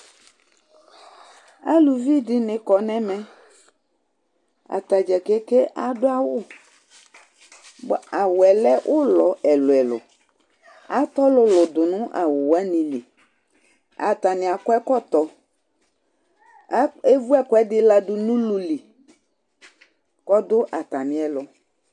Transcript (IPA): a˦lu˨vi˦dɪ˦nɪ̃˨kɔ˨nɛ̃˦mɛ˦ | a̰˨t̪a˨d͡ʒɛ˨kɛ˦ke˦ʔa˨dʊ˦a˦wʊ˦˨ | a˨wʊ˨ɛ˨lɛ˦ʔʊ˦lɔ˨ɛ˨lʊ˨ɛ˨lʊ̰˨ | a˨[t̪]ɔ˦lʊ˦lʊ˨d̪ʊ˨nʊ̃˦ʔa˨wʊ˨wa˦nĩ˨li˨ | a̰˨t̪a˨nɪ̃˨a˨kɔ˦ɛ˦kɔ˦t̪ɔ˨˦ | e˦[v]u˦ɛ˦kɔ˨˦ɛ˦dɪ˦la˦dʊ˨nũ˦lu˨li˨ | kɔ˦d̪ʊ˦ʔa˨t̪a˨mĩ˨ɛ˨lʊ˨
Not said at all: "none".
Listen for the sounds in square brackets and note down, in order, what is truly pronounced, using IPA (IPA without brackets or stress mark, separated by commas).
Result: t̪, v